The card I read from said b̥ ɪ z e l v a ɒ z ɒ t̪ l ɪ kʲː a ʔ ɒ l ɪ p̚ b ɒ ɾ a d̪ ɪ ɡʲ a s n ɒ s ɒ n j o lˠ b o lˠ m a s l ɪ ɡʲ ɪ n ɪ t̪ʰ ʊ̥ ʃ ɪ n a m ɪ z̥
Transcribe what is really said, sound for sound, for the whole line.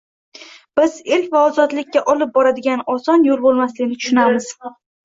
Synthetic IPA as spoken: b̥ ɪ z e l v a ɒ z ɒ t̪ l ɪ kʲː a ʔ ɒ l ɪ p̚ b ɒ ɾ a d̪ ɪ ɡʲ a n ɒ s ɒ n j o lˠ b o lˠ m a s l ɪ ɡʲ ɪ n ɪ t̪ʰ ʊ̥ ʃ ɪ n a m ɪ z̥

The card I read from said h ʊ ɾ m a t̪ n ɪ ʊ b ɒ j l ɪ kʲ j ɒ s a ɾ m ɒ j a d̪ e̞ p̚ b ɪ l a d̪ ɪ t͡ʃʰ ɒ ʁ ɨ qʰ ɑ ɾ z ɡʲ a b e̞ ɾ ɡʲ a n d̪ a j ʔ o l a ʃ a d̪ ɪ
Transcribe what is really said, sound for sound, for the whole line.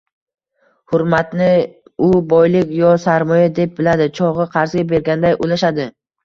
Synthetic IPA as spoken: h ʊ ɾ m a t̪ n ɪ ʊ b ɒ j l ɪ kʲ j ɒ s a ɾ m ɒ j a d̪ e̞ p̚ b ɪ l a d̪ ɪ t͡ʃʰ ɒ ʁ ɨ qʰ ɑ ɾ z ɡʲ a b e̞ ɾ ɡʲ a n d̪ a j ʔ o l a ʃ a d̪ ɪ

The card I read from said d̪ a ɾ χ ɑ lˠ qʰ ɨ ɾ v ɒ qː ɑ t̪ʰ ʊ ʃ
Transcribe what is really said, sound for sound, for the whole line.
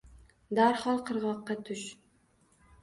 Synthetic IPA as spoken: d̪ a ɾ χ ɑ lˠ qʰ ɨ ɾ ʁ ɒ qː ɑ t̪ʰ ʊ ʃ

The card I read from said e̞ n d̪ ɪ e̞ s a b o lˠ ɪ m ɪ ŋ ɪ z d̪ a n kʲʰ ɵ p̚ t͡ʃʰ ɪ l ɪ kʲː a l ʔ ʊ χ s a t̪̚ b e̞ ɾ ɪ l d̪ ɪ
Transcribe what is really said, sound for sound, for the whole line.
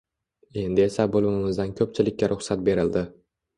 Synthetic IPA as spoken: e̞ n d̪ ɪ e̞ s a b o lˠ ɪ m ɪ m ɪ z d̪ a n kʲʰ ɵ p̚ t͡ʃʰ ɪ l ɪ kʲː a ɾ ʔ ʊ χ s a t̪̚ b e̞ ɾ ɪ l d̪ ɪ

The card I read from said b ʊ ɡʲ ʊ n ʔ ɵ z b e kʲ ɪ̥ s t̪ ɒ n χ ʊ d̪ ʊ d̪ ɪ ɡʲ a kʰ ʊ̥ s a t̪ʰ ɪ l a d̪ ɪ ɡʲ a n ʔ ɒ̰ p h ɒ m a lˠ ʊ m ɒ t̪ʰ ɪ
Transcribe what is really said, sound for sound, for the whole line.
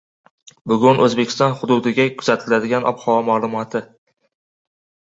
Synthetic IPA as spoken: b ʊ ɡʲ ʊ n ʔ ɵ z b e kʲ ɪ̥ s t̪ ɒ n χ ʊ d̪ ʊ d̪ ɪ ɡʲ a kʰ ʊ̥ z a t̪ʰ ɪ l a d̪ ɪ ɡʲ a n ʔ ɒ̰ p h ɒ m a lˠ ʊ m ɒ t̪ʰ ɪ

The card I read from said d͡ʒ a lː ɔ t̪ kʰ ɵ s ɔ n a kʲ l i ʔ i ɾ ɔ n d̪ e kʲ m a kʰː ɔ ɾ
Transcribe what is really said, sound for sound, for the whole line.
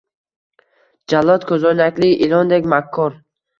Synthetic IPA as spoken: d͡ʒ a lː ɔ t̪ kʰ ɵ z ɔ n a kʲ l i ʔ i l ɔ n d̪ e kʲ m a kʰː ɔ ɾ

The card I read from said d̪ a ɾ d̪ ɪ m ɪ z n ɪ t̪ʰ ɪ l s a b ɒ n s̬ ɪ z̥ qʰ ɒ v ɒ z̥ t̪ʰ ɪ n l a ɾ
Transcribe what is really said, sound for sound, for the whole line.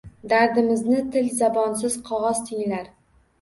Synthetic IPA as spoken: d̪ a ɾ d̪ ɪ m ɪ z n ɪ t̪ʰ ɪ l z a b ɒ n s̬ ɪ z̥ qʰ ɒ ʁ ɒ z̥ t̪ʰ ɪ ŋ l a ɾ

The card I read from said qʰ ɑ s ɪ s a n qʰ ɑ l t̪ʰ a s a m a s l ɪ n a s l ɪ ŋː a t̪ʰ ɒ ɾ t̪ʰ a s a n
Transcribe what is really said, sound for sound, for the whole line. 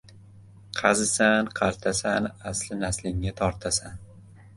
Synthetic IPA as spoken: qʰ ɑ z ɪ s a n qʰ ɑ ɾ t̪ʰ a s a n a s l ɪ n a s l ɪ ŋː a t̪ʰ ɒ ɾ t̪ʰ a s a n

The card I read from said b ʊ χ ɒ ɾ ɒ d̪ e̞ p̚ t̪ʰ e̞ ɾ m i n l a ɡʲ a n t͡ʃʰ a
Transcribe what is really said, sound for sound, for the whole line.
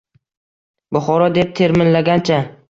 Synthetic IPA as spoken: b ʊ χ ɒ ɾ ɒ d̪ e̞ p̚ t̪ʰ e̞ ɾ m ɪ n l a ɡʲ a n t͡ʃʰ a

